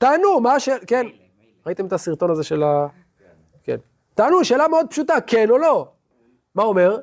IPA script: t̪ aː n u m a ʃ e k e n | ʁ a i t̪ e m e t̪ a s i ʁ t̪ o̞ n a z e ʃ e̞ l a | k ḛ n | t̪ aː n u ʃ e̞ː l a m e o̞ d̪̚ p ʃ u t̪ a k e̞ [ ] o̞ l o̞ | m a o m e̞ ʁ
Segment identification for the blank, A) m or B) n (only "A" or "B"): B